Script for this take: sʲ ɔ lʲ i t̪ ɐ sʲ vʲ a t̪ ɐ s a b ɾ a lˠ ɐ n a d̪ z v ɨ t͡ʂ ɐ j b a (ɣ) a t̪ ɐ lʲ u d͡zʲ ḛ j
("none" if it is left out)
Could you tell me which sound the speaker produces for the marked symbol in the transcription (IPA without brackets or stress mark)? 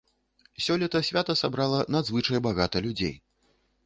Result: ɣ